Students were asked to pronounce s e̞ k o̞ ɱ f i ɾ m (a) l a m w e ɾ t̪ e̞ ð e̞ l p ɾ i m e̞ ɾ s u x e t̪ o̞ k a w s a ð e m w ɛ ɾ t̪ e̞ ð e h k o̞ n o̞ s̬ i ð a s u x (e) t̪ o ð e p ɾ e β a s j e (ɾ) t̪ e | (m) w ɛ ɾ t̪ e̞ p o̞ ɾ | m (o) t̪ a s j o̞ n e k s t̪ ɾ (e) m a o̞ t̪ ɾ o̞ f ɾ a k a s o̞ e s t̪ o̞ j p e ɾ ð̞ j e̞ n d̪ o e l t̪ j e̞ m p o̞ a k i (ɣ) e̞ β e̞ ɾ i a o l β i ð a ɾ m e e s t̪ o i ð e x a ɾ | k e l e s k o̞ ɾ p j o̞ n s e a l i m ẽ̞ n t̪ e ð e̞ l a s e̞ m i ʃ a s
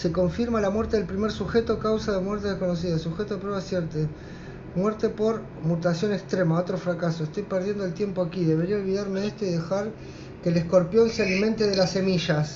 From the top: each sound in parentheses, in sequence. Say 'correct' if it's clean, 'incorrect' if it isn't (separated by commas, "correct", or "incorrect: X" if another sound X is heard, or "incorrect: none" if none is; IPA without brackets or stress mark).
correct, correct, correct, correct, incorrect: u, correct, incorrect: ð